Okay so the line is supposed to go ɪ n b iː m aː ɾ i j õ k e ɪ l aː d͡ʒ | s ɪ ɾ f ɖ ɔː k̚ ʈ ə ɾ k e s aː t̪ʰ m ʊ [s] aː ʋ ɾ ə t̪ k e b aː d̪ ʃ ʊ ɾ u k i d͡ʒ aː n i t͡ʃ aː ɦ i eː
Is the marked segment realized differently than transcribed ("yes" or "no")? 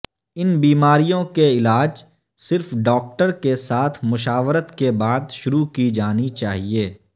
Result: yes